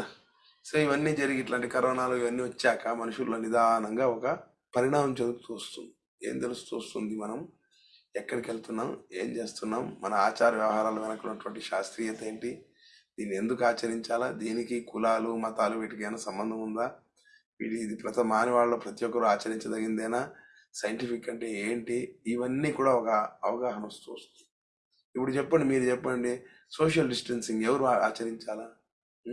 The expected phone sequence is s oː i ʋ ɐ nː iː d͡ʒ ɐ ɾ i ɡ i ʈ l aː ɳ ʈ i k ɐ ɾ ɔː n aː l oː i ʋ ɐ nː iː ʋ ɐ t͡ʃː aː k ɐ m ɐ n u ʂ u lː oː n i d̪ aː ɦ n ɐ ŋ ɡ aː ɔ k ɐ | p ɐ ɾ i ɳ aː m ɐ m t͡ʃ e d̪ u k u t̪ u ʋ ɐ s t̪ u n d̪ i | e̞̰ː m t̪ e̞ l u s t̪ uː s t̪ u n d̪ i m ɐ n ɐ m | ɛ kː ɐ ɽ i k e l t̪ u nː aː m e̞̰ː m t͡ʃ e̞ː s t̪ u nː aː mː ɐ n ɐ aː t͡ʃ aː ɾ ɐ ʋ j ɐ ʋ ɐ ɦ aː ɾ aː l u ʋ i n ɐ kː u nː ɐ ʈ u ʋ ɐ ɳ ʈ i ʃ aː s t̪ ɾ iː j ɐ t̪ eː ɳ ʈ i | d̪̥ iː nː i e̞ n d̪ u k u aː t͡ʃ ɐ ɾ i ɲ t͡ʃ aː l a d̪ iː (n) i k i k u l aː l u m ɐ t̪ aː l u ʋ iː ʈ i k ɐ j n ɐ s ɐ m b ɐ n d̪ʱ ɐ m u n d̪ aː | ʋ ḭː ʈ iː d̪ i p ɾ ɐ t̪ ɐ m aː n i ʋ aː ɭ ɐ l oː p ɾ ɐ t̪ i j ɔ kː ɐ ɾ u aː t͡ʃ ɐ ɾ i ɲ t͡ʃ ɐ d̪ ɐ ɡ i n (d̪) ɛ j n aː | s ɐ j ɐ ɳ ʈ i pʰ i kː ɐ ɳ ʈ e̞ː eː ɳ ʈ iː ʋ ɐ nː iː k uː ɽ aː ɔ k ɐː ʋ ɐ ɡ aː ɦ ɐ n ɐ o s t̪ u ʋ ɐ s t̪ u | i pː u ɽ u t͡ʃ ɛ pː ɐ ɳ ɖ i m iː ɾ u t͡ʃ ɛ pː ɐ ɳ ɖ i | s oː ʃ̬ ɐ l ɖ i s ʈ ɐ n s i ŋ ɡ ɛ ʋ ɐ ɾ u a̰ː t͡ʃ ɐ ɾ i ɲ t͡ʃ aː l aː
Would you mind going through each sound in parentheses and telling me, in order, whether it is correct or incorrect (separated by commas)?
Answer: correct, correct